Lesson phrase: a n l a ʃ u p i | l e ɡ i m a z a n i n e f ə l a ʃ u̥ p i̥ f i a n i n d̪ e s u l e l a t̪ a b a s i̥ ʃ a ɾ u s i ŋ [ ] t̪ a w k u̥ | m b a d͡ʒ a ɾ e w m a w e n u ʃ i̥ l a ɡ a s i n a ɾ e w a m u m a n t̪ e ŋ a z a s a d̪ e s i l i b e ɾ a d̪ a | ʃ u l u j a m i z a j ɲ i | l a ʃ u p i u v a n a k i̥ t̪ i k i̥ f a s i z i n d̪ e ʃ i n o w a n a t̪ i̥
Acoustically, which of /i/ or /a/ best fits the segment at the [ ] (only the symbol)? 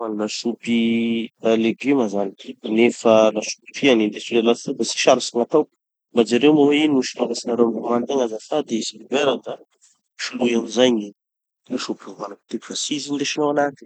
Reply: a